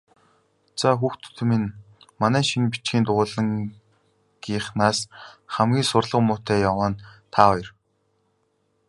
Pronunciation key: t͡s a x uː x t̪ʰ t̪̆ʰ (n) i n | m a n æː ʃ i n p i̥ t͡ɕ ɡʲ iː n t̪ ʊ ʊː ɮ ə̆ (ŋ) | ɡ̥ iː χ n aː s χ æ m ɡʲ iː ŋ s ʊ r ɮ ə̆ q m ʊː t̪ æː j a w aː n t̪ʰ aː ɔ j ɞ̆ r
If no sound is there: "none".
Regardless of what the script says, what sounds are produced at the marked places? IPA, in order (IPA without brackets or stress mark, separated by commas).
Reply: m, ŋ